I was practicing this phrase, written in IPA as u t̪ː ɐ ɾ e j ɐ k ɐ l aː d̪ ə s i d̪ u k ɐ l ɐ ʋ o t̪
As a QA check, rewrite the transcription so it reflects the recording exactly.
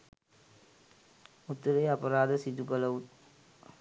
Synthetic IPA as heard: u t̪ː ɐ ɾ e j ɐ p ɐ ɾ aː d̪ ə s i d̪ u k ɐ l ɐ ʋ u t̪